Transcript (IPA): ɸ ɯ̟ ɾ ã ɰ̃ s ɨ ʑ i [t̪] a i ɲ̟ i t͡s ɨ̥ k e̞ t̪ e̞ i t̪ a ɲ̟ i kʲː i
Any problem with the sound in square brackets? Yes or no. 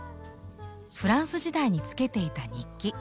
yes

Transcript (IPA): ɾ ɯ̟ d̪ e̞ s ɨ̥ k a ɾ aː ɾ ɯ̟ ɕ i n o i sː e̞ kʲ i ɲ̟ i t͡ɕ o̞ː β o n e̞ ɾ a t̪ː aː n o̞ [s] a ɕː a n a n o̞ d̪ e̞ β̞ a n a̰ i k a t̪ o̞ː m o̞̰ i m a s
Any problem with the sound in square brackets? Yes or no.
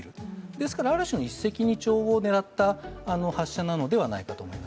yes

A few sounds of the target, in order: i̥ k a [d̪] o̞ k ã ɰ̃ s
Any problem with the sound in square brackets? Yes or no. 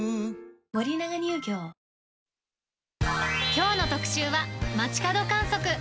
no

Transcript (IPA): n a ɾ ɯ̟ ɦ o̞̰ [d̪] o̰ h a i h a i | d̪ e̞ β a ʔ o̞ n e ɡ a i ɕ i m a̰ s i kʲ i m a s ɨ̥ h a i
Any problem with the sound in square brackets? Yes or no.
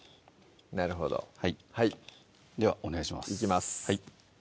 no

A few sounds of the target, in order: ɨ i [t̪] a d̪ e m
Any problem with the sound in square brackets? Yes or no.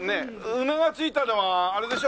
no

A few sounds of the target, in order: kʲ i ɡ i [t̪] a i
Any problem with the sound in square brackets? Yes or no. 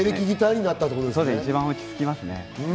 no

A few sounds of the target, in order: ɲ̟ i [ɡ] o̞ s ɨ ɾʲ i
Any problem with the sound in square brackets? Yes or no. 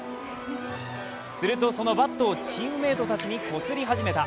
yes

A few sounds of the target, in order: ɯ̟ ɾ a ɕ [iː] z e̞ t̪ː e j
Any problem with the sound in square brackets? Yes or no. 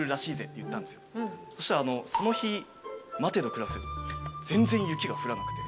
no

